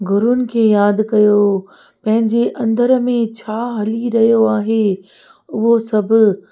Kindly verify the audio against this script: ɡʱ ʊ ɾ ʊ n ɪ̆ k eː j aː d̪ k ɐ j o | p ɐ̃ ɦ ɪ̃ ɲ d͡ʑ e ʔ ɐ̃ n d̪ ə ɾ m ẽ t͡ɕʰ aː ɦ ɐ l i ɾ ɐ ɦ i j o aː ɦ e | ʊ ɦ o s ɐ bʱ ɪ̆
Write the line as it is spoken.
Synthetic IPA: ɡʱ ʊ ɾ ʊ n ɪ̆ kʰ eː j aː d̪ k ɐ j o | p ɐ̃ ɦ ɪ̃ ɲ d͡ʑ e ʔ ɐ̃ n d̪ ə ɾ m ẽ t͡ɕʰ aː ɦ ɐ l i ɾ ɐ ɦ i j o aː ɦ e | ʊ ɦ o s ɐ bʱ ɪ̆